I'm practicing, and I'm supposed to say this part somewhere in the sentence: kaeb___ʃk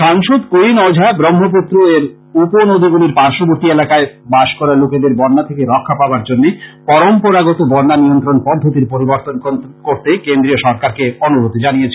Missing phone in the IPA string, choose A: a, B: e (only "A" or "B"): A